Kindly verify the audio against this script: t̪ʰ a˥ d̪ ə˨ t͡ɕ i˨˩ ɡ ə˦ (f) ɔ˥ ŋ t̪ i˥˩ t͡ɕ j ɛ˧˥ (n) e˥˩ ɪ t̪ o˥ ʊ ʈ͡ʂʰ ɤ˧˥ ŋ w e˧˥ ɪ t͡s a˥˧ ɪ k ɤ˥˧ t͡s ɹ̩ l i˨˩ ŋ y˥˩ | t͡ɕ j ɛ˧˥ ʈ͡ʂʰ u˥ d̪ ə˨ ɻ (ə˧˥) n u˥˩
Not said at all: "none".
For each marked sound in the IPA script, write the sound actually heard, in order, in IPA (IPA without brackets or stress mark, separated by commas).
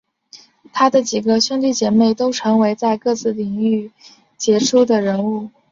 ɕ, m, ə˧˥